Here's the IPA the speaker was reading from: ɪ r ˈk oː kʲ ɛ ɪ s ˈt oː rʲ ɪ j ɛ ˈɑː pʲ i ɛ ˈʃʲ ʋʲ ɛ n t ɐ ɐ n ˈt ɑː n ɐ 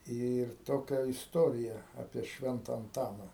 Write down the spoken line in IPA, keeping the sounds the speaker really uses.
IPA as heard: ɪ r ˈt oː kʲ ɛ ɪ s ˈt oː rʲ ɪ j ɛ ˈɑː pʲ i ɛ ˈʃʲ ʋʲ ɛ n t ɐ ɐ n ˈt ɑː n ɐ